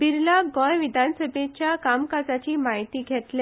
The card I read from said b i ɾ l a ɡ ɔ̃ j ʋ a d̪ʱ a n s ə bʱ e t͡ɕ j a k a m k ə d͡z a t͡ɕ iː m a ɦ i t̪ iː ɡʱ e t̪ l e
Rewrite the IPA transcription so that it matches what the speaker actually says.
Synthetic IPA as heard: b i ɾ l a ɡ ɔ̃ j ʋ i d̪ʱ a n s ə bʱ e t͡ɕ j a k a m k a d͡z a t͡ɕ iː m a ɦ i t̪ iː ɡʱ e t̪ l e